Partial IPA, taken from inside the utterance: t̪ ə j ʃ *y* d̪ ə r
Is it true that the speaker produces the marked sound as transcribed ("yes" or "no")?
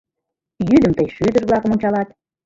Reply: yes